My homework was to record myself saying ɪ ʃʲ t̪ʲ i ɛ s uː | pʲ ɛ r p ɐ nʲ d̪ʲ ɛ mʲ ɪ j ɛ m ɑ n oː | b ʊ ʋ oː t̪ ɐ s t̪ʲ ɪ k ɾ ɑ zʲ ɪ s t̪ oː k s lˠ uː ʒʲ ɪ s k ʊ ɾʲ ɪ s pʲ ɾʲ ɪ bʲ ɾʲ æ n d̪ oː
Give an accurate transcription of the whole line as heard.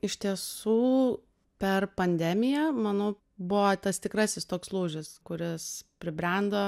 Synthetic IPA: ɪ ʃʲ t̪ʲ i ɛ s uː | pʲ ɛ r p ɐ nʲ d̪ʲ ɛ mʲ ɪ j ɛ m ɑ n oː | b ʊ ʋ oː t̪ ɐ s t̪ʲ ɪ k ɾ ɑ sʲ ɪ s t̪ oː k s lˠ uː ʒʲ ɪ s k ʊ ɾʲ ɪ s pʲ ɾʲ ɪ bʲ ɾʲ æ n d̪ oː